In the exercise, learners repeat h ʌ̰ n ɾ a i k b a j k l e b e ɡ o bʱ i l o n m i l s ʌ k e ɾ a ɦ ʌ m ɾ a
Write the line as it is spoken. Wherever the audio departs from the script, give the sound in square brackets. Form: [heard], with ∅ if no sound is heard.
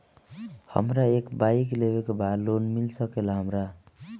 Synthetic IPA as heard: h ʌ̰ [m] ɾ a [e] k b a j k l e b e [k] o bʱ [a] l o n m i l s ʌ k e [l] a ɦ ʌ m ɾ a